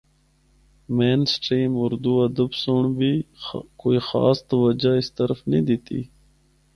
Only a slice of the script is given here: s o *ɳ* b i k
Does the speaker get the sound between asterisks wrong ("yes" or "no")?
no